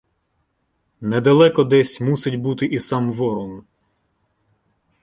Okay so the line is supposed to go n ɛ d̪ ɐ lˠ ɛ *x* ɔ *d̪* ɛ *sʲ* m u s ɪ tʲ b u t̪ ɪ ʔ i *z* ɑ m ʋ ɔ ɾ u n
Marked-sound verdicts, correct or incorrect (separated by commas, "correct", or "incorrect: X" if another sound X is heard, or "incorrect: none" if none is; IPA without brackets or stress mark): incorrect: k, correct, correct, incorrect: s